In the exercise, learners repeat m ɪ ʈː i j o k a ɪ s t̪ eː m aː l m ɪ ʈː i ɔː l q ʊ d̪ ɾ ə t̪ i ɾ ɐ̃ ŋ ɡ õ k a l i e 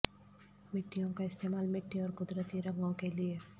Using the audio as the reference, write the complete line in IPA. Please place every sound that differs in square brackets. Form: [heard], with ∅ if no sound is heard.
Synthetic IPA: m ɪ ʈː i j [õ] k a ɪ s t̪ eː m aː l m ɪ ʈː i ɔː [ɾ] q ʊ d̪ ɾ ə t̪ i ɾ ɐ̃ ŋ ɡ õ k [e] l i e